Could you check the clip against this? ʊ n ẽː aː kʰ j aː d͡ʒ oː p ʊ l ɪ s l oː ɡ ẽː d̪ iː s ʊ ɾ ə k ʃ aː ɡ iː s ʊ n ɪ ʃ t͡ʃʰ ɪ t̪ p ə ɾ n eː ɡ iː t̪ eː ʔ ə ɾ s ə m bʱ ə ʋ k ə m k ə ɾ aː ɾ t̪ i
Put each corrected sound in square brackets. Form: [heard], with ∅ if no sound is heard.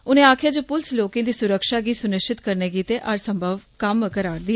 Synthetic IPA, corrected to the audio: ʊ n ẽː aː kʰ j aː d͡ʒ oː p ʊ l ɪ s l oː [k] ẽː d̪ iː s ʊ ɾ ə k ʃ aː ɡ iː s ʊ n ɪ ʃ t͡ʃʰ ɪ t̪ [k] ə ɾ n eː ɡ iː t̪ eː ʔ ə ɾ s ə m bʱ ə ʋ k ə m k ə ɾ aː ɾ [d̪] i